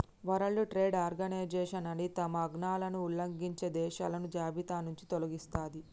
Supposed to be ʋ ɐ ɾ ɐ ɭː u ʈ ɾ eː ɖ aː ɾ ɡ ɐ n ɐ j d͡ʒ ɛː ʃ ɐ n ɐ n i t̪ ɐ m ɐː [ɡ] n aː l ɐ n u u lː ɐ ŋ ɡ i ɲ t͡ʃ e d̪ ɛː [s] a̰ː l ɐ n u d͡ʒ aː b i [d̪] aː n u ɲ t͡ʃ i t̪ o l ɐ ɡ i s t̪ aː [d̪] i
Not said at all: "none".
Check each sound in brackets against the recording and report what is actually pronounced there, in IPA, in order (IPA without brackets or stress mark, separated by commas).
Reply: ɡ, ʃ, t̪, d̪